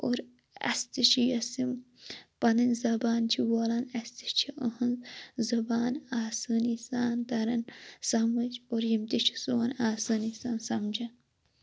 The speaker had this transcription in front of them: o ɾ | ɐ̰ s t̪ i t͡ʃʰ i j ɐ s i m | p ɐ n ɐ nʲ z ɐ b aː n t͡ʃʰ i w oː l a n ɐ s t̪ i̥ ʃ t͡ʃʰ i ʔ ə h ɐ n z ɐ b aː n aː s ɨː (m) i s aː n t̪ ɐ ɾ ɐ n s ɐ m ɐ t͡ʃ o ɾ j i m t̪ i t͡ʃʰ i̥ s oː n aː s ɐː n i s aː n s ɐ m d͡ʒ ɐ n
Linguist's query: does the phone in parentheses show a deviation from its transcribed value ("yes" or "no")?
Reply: yes